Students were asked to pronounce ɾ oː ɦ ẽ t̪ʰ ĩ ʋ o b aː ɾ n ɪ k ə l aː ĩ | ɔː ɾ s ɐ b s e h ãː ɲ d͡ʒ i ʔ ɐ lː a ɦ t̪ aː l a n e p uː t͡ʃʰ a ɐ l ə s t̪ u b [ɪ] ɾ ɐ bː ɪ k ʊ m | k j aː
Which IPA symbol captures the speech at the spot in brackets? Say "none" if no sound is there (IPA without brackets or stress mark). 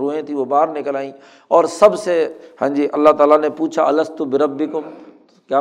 ɪ